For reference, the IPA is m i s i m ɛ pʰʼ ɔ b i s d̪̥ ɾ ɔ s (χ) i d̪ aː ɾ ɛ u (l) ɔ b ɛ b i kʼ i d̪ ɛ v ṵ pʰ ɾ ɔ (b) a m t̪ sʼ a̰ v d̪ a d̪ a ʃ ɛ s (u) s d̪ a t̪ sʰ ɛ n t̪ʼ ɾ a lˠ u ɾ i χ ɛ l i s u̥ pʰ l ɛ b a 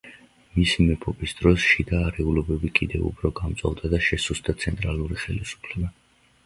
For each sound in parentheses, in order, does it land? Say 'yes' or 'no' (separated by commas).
no, yes, no, yes